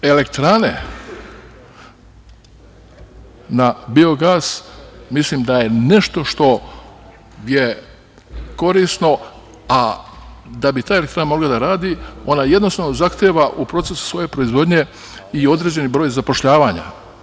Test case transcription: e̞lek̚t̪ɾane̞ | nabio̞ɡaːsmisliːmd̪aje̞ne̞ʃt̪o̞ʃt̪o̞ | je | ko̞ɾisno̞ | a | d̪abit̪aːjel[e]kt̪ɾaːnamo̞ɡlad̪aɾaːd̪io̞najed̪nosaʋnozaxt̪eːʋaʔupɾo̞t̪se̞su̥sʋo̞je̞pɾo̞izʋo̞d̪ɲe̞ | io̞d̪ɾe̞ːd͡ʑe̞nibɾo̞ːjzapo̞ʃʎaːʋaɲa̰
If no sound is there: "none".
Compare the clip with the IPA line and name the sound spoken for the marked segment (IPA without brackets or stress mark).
e